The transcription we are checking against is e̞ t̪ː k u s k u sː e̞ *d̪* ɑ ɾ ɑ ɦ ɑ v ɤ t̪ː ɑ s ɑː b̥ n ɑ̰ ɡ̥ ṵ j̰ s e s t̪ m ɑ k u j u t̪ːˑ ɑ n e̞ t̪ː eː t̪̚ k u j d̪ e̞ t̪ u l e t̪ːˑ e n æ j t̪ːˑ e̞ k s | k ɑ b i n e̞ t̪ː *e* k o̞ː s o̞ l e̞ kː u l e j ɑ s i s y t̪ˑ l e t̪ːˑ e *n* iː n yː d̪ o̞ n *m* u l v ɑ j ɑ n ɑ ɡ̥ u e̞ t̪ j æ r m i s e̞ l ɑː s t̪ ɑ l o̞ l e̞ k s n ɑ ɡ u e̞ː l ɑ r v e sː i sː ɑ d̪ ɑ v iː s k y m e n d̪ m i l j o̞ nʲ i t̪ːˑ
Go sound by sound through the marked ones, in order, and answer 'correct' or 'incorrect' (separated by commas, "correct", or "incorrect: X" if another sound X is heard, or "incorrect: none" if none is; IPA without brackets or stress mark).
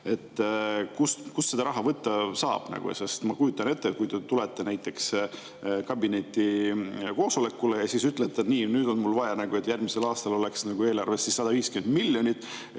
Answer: correct, incorrect: i, correct, correct